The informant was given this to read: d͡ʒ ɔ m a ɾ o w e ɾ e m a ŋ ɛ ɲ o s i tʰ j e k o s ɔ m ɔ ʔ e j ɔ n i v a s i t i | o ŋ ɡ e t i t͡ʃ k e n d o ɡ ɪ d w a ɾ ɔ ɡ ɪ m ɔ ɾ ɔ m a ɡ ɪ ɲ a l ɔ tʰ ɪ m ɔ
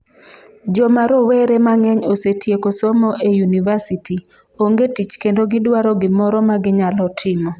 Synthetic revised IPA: d͡ʒ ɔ m a ɾ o w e ɾ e m a ŋ ɛ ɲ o s e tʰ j e k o s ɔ m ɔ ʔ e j u n i v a s i t i | o ŋ ɡ e t i t͡ʃ k e n d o ɡ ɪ d w a ɾ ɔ ɡ ɪ m ɔ ɾ ɔ m a ɡ ɪ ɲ a l ɔ tʰ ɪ m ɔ